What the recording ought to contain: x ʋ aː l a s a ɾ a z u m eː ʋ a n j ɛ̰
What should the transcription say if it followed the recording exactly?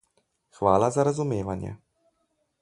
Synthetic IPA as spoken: x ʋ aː l a z a ɾ a z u m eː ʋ a n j ɛ̰